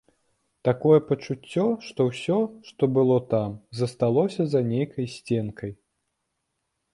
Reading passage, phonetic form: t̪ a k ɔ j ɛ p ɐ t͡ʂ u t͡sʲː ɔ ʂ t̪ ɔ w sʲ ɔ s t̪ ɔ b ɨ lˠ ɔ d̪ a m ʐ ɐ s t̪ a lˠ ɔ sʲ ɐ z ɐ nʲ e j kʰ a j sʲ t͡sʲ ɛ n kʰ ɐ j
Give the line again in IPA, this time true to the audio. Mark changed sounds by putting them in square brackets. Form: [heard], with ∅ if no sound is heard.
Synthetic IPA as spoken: t̪ a k ɔ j ɛ p ɐ t͡ʂ u t͡sʲː ɔ ʂ t̪ ɔ w sʲ ɔ [ʂ] t̪ ɔ b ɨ lˠ ɔ [t̪] a m [z] ɐ s t̪ a lˠ ɔ sʲ ɐ z ɐ nʲ e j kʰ [ɐ] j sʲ t͡sʲ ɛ n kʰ ɐ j